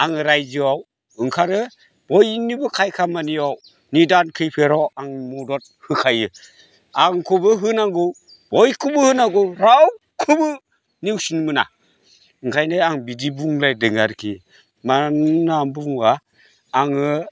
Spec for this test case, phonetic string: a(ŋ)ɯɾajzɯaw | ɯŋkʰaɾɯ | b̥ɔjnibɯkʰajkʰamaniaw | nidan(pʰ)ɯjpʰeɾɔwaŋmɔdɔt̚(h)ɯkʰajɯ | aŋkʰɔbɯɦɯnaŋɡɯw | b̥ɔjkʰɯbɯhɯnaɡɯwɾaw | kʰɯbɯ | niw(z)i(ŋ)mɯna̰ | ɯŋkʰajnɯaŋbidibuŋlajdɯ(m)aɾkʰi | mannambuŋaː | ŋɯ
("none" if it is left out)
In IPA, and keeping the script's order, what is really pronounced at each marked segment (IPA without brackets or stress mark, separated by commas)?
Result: ŋ, kʰ, h, s, n, ŋ